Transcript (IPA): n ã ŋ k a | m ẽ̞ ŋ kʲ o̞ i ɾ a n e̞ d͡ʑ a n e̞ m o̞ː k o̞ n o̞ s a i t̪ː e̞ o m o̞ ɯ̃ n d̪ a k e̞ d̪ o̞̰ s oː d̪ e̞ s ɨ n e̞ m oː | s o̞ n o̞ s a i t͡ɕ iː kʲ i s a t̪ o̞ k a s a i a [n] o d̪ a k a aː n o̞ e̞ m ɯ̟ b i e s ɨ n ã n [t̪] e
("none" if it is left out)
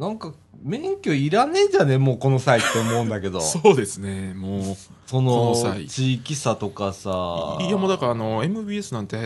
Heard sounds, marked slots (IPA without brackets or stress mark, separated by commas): m, t̪